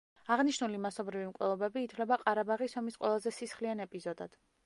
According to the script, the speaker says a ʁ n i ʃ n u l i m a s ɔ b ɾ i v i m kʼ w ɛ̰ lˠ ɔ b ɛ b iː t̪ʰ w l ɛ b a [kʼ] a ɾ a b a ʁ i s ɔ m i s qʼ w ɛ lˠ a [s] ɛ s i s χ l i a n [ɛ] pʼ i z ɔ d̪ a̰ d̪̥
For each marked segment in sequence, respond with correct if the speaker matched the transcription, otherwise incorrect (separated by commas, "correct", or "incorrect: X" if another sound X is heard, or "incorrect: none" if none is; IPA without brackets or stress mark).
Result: incorrect: qʼ, incorrect: z, correct